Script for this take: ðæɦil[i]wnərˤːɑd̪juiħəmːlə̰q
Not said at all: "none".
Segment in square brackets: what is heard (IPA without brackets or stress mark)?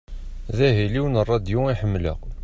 i